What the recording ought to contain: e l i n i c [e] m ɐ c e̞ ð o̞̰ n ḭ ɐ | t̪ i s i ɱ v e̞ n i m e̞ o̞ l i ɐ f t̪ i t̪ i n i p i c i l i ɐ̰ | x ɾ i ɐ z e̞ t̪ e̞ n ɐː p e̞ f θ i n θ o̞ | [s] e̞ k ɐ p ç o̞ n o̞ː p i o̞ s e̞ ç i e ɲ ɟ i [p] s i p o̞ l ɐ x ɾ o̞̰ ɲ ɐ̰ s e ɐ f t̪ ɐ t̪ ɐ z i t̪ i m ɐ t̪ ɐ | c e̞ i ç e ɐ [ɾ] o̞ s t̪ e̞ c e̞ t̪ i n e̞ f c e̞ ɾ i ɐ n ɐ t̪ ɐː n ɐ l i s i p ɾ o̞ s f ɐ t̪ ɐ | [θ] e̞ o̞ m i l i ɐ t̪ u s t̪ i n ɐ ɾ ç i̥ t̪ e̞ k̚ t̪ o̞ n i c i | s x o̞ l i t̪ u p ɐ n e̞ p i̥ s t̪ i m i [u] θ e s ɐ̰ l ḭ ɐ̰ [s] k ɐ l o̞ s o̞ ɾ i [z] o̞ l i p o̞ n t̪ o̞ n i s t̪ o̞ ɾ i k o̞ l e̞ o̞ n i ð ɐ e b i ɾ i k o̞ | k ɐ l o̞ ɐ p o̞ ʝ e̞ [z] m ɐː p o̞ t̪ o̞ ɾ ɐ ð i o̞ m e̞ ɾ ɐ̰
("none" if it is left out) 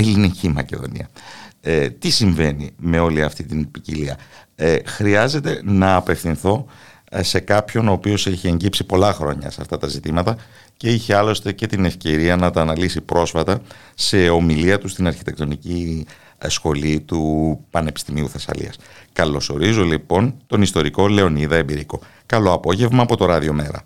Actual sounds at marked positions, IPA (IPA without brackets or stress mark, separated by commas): i, s, p, l, s, u, s, z, v